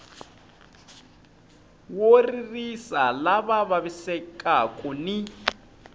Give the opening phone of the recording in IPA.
w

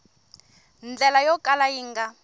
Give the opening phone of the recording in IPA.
n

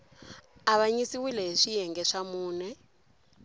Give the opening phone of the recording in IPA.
a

